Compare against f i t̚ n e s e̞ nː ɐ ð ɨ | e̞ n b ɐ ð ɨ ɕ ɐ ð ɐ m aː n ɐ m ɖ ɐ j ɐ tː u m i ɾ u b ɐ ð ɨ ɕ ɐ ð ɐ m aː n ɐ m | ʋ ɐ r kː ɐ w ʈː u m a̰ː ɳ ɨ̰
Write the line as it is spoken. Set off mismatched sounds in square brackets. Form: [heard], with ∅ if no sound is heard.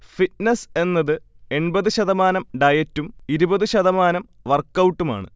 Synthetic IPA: f i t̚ n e s e̞ nː ɐ ð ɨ | e̞ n b ɐ ð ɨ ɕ ɐ ð ɐ m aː n ɐ m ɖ ɐ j ɐ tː u m i ɾ u b ɐ ð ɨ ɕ ɐ ð ɐ m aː n ɐ m | ʋ ɐ r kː ɐ w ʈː u m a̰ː ɳ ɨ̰